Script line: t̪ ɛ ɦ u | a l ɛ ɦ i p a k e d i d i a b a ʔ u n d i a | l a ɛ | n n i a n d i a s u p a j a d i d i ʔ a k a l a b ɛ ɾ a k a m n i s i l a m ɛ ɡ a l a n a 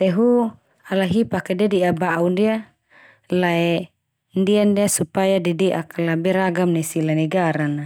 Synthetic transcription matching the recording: t̪ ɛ ɦ u | a l a ɦ i p a k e d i d i a b a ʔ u n d i a | l a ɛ | n d i a n d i a s u p a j a d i d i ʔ a k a l a b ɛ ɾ a ɡ a m n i s i l a n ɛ ɡ a ɾ a n a

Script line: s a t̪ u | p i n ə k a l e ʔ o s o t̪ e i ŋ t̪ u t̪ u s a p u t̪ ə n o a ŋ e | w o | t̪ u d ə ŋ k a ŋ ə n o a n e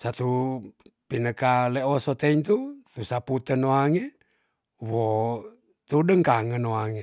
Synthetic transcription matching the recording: s a t̪ u | p i n ə k a l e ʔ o s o t̪ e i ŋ t̪ u t̪ u s a p u t̪ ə n o a ŋ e | w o | t̪ u d ə ŋ k a ŋ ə n o a ŋ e

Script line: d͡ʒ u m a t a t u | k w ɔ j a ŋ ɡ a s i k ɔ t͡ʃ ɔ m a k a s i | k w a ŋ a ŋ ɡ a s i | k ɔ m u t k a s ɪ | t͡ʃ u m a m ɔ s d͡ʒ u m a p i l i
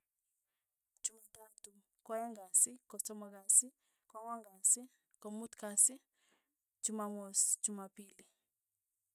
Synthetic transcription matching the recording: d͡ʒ u m a t a t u | k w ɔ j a ŋ ɡ a s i k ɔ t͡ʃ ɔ m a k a s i | k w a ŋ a ŋ ɡ a s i | k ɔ m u t k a s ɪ | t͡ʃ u m a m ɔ s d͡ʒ u m a p i l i

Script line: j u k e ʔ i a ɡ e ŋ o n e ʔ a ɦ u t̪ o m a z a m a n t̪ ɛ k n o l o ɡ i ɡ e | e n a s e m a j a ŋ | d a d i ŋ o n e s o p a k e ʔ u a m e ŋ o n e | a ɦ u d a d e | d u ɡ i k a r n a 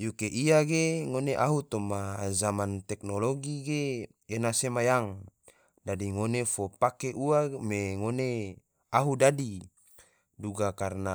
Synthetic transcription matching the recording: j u k e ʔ i a ɡ e ŋ o n e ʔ a ɦ u t̪ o m a z a m a n t̪ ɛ k n o l o ɡ i ɡ e | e n a s e m a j a ŋ | d a d i ŋ o n e f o p a k e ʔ u a m e ŋ o n e | a ɦ u d a d i | d u ɡ a k a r n a

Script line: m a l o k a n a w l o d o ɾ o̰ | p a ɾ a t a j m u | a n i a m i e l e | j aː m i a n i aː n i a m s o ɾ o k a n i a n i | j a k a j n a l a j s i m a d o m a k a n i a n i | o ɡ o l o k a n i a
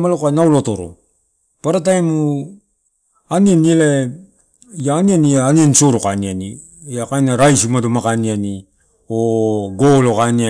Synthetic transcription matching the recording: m a l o k a n a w l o t o ɾ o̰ | p a ɾ a t a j m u | a n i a n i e l e | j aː n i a n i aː n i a n s o ɾ o k a n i a n i | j a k a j n a ɾ a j s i m a d o m a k a n i a n i | o ɡ o l o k a n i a

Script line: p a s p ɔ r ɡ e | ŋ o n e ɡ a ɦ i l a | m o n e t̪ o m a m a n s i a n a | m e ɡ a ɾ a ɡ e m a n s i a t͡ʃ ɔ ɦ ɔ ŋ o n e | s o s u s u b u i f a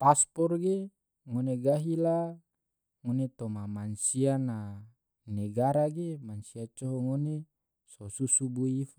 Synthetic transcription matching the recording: p a s p ɔ r ɡ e | ŋ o n e ɡ a ɦ i l a | ŋ o n e t̪ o m a m a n s i a n a | n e ɡ a ɾ a ɡ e m a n s i a t͡ʃ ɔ ɦ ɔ ŋ o n e | s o s u s u b u i f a

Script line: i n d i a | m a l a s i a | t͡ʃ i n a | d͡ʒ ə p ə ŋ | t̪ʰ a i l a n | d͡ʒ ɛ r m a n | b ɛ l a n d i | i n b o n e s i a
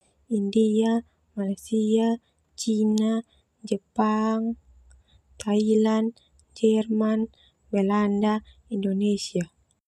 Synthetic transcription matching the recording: i n d i a | m a l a s i a | t͡ʃ i n a | d͡ʒ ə p a ŋ | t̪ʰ a i l a n | d͡ʒ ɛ r m a n | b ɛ l a n d a | i n d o n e s i a

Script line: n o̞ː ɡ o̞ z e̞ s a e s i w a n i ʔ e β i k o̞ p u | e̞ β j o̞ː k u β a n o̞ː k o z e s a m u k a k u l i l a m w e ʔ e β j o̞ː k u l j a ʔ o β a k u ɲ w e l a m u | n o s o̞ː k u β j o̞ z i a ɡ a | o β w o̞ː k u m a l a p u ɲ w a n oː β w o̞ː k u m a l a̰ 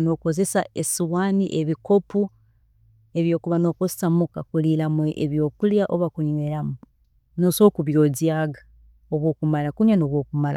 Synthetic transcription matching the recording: n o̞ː k o̞ z e̞ s a e s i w a n i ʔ e β i k o̞ p u | e̞ β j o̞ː k u β a n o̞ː k o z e s a m u k a k u l i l a m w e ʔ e β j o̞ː k u l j a ʔ o β a k u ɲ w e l a m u | n o s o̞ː k u β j o̞ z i a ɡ a | o β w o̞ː k u m a l a k u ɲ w a n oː β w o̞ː k u m a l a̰

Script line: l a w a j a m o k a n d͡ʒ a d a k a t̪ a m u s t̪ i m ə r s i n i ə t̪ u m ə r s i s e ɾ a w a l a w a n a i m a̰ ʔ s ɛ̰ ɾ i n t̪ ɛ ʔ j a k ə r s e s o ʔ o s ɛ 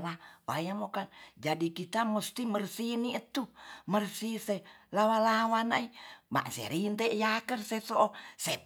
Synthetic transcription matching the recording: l a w a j a m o k a n d͡ʒ a d i k i t̪ a m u s t̪ i m ə r s i n i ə t̪ u m ə r s i s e l a w a l a w a n a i m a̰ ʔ s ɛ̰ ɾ i n t̪ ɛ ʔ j a k ə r s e s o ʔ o s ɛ

